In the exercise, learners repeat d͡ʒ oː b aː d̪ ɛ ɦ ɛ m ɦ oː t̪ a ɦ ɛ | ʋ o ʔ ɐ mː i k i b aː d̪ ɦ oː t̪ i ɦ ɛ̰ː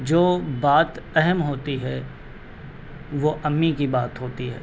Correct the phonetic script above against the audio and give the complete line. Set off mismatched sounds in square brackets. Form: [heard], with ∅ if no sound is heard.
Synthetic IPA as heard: d͡ʒ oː b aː [t̪] ɛ ɦ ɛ m ɦ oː t̪ [i] ɦ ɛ | ʋ o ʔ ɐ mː i k i b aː [t̪] ɦ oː t̪ i ɦ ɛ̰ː